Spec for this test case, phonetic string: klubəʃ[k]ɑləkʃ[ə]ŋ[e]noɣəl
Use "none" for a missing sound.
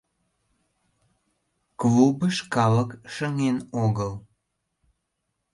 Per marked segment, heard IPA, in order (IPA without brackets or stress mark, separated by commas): k, ə, e